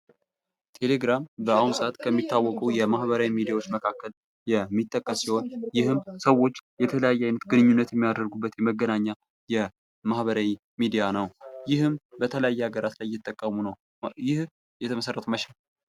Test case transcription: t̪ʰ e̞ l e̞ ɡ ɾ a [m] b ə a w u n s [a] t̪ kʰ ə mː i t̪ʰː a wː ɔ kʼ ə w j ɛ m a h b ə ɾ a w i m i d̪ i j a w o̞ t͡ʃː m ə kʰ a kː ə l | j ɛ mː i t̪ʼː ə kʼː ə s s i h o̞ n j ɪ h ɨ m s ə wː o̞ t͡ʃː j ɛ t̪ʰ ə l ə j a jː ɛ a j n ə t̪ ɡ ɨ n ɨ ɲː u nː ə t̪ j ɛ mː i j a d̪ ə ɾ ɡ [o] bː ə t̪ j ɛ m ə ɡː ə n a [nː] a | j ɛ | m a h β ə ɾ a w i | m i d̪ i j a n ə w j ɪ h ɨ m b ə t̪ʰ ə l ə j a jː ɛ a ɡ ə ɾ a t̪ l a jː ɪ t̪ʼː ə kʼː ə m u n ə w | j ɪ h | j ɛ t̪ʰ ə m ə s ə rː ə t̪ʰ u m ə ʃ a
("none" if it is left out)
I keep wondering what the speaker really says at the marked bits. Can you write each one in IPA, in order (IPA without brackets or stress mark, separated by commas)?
m, a, u, ɲː